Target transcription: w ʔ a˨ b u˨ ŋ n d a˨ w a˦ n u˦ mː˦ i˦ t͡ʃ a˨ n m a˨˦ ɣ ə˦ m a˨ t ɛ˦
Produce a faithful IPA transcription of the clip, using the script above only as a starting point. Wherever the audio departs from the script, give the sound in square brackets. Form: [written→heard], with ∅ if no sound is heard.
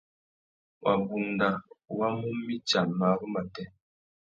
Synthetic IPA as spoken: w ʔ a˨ b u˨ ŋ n d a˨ w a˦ [n→m] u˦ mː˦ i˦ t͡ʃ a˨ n m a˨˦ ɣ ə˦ m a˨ t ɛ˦